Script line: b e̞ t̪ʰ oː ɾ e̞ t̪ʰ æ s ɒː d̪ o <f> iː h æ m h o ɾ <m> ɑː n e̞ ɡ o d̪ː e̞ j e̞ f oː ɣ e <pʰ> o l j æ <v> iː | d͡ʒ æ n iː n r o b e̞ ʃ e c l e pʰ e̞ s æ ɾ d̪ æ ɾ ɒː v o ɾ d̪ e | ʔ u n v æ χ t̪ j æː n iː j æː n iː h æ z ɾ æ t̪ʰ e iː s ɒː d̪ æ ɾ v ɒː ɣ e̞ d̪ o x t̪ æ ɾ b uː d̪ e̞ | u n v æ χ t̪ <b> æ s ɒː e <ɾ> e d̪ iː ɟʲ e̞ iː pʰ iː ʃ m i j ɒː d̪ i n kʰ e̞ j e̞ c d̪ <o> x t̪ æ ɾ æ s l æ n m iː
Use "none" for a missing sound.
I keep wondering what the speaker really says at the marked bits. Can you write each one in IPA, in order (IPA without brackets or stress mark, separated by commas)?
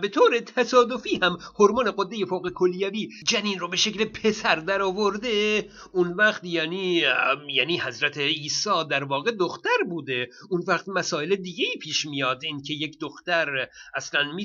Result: f, m, kʰ, v, m, l, o